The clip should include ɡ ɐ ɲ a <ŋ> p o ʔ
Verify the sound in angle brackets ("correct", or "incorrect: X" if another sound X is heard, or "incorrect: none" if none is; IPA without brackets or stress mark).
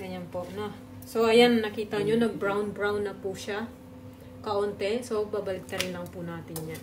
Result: incorrect: n